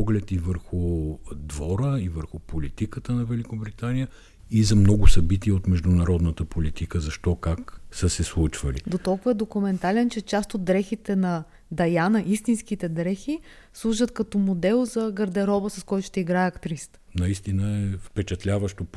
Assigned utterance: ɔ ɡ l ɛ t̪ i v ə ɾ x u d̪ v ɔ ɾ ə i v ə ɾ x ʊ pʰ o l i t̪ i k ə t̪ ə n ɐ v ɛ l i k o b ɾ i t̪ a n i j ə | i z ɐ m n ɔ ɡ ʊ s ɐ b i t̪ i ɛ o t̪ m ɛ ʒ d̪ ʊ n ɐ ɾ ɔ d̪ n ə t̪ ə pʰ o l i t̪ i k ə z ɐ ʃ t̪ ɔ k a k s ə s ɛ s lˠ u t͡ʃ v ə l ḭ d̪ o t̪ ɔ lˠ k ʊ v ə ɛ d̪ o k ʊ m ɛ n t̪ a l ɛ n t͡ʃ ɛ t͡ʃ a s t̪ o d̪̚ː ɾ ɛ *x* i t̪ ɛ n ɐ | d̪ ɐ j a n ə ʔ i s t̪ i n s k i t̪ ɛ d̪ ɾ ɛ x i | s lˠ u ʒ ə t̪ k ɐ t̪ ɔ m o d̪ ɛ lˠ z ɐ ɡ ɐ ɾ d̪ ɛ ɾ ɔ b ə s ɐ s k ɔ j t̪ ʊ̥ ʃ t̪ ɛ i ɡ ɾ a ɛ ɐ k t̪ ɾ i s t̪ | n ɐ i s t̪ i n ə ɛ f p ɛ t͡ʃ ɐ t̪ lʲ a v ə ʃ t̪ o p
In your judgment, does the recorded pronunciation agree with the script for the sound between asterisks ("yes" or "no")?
yes